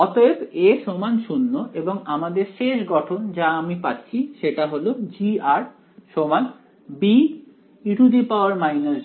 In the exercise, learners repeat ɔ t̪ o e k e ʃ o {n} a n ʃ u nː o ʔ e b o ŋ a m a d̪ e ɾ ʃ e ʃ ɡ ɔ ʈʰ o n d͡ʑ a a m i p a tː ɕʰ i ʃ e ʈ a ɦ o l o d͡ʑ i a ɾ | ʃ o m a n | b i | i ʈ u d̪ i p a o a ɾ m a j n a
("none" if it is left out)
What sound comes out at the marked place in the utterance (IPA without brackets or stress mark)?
m